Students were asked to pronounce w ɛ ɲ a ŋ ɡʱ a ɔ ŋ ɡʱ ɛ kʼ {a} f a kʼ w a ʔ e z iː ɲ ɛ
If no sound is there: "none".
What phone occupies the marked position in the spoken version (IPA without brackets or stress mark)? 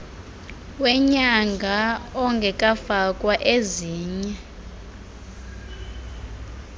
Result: a